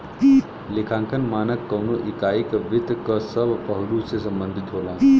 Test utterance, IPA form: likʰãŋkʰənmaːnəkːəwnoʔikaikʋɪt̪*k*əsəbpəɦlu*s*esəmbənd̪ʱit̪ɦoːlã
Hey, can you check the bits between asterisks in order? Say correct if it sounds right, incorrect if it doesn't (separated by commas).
correct, correct